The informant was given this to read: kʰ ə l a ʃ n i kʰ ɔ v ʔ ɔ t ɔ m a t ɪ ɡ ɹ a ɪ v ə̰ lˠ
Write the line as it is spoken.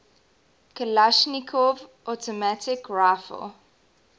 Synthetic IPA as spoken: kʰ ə l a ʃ n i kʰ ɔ v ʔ ɔ t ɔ m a t ɪ k ɹ a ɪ f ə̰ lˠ